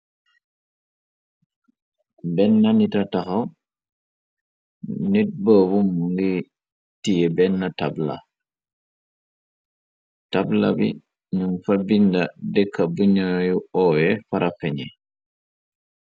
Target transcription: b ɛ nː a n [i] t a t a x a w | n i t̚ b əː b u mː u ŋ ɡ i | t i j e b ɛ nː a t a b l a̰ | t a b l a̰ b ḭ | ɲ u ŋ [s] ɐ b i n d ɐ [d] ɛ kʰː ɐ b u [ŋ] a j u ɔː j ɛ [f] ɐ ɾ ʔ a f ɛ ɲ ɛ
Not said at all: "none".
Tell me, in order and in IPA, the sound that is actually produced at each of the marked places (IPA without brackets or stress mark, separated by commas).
i, f, d, ɲ, f